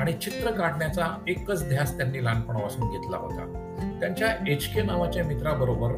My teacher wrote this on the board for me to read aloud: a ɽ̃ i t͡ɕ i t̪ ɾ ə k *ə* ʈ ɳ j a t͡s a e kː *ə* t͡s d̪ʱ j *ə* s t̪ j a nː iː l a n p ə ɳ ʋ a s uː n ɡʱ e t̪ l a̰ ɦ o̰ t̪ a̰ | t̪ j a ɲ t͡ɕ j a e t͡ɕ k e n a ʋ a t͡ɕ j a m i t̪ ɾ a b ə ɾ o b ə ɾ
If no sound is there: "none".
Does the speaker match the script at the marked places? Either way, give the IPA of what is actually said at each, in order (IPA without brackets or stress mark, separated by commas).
a, ə, a